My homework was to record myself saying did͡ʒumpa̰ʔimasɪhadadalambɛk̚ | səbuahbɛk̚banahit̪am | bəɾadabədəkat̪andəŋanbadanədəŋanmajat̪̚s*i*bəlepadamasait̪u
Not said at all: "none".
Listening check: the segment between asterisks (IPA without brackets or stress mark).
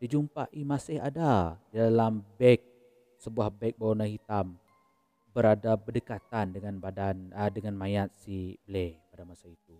i